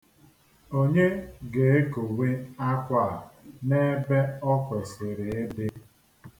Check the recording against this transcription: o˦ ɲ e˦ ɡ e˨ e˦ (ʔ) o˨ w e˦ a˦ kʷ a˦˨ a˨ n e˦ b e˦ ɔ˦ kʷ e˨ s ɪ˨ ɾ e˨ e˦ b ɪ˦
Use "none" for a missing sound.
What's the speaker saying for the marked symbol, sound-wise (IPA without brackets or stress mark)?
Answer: k